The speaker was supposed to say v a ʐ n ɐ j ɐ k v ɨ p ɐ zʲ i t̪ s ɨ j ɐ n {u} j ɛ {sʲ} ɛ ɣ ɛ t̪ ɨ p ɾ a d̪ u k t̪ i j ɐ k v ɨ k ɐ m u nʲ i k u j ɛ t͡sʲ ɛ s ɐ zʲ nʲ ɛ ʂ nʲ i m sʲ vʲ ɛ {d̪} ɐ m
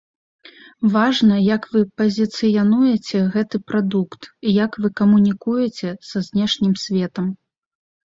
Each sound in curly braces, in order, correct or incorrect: correct, incorrect, incorrect

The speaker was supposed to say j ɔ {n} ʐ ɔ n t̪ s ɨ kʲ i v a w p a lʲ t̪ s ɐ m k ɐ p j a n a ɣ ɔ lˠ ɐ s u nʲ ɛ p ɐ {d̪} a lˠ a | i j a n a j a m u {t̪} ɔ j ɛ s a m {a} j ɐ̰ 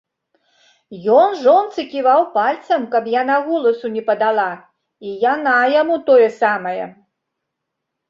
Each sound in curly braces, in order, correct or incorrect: correct, correct, correct, incorrect

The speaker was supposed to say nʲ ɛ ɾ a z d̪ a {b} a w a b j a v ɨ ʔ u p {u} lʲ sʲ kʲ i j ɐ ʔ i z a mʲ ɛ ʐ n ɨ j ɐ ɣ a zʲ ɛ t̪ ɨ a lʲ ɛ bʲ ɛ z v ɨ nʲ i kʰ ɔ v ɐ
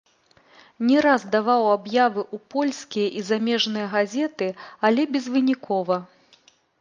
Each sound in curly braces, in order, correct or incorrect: incorrect, incorrect

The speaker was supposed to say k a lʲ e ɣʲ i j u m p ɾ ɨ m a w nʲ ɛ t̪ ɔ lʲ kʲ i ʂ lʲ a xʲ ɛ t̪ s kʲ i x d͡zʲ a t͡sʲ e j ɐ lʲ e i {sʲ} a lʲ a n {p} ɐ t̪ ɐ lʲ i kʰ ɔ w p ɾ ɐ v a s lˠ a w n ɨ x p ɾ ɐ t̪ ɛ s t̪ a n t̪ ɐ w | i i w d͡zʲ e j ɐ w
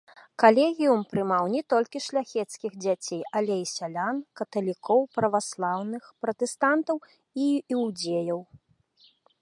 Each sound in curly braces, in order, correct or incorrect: correct, incorrect

